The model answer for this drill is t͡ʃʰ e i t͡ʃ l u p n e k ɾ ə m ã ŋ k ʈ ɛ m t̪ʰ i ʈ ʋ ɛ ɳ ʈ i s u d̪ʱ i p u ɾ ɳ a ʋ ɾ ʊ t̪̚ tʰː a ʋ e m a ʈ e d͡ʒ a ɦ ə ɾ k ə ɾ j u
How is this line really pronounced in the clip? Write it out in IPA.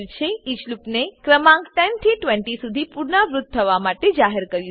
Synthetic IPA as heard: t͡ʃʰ e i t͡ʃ l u p n e k ɾ ə m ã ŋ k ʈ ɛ n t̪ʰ i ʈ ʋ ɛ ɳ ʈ i s u d̪ʱ i p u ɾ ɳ a ʋ ɾ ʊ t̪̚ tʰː ə ʋ a m a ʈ e d͡ʒ a ɦ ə ɾ k ə ɾ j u